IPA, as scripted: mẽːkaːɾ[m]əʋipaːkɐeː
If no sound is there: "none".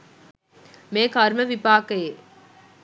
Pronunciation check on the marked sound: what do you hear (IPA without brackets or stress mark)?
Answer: m